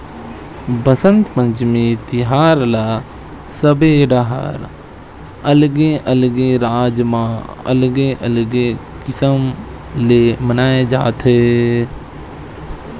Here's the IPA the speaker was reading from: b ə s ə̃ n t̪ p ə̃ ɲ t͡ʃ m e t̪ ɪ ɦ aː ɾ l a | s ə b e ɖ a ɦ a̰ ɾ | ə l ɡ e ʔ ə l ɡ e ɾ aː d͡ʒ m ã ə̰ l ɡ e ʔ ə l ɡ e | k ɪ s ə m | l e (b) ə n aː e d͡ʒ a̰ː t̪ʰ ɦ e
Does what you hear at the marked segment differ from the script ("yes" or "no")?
yes